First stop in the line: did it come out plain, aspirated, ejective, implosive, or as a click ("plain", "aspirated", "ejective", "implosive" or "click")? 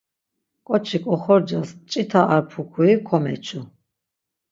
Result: ejective